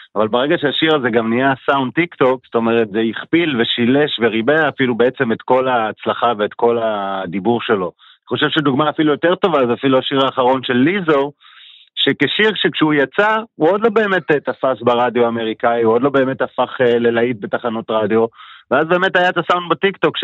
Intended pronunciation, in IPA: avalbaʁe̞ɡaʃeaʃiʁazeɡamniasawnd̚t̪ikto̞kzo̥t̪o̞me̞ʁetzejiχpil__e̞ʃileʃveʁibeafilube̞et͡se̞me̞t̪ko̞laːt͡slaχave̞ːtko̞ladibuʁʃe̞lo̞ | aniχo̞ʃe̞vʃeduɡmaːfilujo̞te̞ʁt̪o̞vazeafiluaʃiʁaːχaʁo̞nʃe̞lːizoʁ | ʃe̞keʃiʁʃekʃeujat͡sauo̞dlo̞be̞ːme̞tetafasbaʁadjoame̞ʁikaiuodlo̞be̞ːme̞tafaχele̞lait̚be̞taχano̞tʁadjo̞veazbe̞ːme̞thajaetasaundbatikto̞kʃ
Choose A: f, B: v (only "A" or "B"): B